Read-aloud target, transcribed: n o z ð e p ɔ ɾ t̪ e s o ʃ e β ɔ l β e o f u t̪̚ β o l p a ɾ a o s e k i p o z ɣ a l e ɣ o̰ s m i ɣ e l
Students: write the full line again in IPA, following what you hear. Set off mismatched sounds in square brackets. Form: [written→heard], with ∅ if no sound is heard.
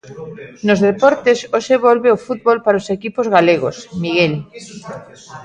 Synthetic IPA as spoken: n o z ð e p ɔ ɾ t̪ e s o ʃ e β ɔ l β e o f u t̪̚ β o l p a ɾ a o s e k i p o z ɣ a l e ɣ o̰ s m i ɣ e l